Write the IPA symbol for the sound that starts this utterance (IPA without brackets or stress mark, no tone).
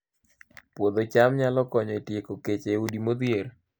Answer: p